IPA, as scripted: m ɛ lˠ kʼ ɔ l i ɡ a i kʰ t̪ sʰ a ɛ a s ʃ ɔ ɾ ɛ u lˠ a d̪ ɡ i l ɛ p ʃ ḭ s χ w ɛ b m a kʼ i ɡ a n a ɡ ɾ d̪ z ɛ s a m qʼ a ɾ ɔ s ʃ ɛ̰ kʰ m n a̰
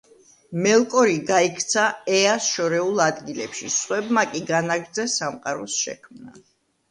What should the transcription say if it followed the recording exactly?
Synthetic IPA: m ɛ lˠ kʼ ɔ ɾ i ɡ a i kʰ t̪ sʰ a ɛ a s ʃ ɔ ɾ ɛ u lˠ a d̪ ɡ i l ɛ p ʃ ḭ s χ w ɛ b m a kʼ i ɡ a n a ɡ ɾ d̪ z ɛ s a m qʼ a ɾ ɔ s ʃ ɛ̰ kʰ m n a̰